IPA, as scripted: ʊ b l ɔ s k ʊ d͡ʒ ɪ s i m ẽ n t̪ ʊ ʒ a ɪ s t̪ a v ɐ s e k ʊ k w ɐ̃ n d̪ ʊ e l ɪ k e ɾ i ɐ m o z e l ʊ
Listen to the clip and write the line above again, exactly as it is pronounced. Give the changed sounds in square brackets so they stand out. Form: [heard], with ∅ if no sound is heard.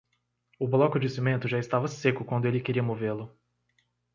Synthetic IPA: ʊ b l ɔ [∅] k ʊ d͡ʒ ɪ s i m ẽ n t̪ ʊ ʒ a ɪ s t̪ a v ɐ s e k ʊ k w ɐ̃ n d̪ ʊ e l ɪ k e ɾ i ɐ m o [v] e l ʊ